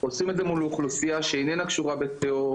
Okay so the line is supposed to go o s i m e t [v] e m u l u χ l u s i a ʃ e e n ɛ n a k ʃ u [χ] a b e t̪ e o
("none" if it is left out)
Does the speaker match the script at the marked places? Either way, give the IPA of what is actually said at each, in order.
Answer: z, ʁ

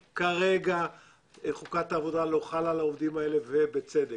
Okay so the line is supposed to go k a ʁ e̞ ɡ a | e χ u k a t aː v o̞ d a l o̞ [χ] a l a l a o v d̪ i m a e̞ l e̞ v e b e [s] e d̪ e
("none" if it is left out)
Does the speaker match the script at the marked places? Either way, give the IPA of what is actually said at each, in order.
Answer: χ, t͡s

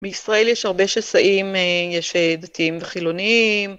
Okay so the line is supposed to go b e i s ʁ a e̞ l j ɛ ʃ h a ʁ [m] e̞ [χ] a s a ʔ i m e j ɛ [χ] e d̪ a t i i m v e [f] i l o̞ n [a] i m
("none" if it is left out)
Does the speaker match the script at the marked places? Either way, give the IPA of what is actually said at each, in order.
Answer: b, ʃ, ʃ, χ, i

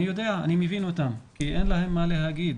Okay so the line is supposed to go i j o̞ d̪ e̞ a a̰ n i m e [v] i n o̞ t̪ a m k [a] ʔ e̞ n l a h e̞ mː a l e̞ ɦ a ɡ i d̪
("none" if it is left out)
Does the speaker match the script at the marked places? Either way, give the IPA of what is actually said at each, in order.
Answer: v, i

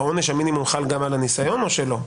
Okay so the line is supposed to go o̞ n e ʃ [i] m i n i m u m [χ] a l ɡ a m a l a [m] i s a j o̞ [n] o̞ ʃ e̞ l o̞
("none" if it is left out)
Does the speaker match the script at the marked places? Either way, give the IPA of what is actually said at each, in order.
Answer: a, χ, n, n

